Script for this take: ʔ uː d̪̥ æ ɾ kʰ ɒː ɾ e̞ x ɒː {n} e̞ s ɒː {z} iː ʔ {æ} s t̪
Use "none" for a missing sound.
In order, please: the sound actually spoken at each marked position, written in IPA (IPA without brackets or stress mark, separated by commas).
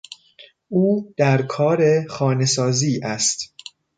n, z, æ